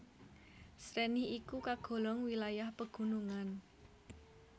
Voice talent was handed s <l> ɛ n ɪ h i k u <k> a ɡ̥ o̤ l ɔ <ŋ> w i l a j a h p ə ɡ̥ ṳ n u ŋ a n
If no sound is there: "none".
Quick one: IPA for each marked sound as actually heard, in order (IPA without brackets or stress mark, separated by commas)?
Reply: ɾ, k, ŋ